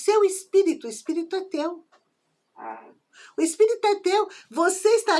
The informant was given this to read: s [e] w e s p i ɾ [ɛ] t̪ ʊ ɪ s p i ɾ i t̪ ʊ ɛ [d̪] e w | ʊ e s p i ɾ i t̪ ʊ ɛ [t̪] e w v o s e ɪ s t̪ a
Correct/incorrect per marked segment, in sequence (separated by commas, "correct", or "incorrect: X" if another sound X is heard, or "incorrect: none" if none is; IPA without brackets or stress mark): correct, incorrect: i, incorrect: t̪, correct